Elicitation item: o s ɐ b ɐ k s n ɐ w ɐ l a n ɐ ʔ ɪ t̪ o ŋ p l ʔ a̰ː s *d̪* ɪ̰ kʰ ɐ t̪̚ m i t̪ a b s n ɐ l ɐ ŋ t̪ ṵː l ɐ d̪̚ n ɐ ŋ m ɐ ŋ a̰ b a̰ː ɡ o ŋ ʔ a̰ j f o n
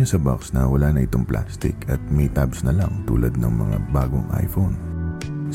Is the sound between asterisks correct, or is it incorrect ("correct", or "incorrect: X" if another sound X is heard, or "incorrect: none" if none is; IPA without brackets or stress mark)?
incorrect: t̪